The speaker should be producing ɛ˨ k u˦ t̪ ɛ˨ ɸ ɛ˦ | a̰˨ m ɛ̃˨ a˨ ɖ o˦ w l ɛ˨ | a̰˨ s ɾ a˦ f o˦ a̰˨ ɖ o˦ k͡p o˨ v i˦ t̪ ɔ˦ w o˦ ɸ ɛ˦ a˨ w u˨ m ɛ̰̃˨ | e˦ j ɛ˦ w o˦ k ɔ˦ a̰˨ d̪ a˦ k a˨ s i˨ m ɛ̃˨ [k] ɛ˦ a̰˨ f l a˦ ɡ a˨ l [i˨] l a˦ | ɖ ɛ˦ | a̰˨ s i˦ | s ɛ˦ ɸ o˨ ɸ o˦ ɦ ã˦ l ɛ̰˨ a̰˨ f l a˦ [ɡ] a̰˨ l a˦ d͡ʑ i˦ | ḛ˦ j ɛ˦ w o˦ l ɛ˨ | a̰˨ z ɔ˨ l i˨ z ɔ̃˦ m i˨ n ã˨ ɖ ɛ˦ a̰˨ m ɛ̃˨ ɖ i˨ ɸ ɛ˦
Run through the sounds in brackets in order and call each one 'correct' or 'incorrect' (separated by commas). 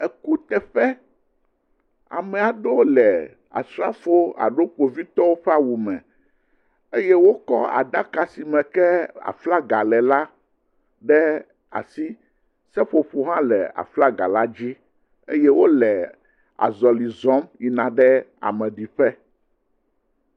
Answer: correct, incorrect, correct